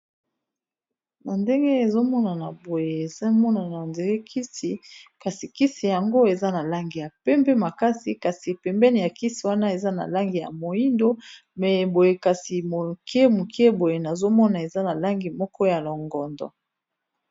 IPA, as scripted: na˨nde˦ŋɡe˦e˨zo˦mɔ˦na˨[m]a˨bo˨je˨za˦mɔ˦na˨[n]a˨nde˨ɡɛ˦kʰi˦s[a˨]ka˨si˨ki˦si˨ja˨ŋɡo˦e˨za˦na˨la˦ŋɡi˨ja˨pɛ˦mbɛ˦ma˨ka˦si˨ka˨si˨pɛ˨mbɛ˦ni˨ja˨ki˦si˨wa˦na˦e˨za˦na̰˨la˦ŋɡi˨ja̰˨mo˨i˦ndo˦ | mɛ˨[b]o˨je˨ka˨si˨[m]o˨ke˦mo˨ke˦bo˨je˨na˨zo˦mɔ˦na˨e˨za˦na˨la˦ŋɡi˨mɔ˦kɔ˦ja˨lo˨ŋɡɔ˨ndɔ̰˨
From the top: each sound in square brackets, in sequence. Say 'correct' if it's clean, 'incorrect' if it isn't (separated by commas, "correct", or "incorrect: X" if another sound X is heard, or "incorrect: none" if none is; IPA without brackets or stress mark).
incorrect: n, correct, incorrect: i˨, correct, correct